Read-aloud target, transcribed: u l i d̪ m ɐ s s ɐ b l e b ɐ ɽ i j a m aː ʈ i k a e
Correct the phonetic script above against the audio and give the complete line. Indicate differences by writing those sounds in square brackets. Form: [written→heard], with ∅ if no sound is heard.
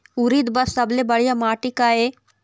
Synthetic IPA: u [l→ɾ] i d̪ [m→b] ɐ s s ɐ b l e b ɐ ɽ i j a m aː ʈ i k a e